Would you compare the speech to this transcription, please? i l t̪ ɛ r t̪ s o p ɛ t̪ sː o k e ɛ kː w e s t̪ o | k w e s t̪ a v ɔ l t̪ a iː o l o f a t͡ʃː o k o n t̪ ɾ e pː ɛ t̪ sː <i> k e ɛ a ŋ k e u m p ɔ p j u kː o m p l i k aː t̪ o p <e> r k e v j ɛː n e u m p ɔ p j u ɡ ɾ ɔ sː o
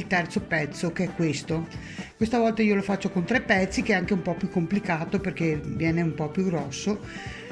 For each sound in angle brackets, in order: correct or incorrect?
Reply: correct, correct

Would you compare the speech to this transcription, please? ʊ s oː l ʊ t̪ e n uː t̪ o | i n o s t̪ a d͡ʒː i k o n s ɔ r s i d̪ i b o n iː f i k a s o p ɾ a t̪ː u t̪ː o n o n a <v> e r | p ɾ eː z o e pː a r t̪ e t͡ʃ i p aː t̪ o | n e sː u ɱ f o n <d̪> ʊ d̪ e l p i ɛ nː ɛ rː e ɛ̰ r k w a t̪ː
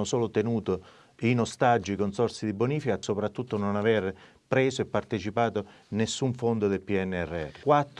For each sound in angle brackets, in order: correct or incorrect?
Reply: correct, correct

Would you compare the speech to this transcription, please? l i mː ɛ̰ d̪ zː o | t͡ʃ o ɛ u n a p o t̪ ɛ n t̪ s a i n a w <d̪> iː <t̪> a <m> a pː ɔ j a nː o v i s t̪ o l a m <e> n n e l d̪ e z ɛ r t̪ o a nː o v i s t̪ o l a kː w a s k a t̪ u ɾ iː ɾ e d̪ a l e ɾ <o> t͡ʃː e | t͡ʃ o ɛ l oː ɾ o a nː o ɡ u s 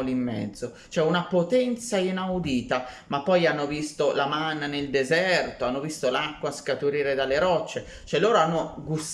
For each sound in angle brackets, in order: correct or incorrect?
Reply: correct, correct, correct, incorrect: a, incorrect: ɔ

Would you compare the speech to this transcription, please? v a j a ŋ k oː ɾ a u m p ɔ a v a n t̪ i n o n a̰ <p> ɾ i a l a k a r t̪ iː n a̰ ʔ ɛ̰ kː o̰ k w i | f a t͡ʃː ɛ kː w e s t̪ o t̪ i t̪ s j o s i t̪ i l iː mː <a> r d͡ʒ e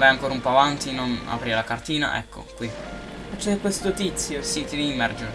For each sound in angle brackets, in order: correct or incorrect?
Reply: correct, incorrect: ɛ

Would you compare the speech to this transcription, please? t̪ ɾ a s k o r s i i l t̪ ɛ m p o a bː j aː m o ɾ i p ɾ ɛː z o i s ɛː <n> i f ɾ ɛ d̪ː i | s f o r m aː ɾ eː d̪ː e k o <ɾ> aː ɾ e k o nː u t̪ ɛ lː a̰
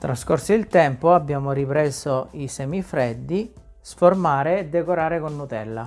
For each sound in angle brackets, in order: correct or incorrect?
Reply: incorrect: m, correct

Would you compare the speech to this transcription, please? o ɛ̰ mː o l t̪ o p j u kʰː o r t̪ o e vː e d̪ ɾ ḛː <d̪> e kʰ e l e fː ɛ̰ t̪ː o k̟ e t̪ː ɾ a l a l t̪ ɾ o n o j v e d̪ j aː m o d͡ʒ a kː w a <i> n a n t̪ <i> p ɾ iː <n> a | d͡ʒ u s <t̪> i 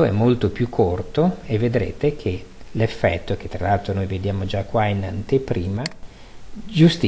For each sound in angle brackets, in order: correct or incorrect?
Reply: incorrect: t̪, correct, incorrect: e, incorrect: m, correct

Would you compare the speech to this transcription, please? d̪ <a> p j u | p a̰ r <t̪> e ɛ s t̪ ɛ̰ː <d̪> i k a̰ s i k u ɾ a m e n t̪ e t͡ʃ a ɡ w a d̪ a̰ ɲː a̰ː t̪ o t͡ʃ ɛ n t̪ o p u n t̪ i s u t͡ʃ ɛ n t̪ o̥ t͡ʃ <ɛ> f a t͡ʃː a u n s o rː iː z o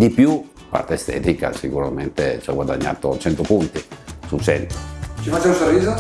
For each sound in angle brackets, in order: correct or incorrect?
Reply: incorrect: i, correct, incorrect: t̪, incorrect: i

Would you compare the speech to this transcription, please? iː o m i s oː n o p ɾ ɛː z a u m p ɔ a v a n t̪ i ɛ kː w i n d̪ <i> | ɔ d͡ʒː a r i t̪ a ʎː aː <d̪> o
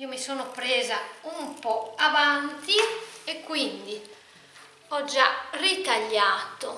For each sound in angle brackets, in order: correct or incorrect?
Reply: correct, incorrect: t̪

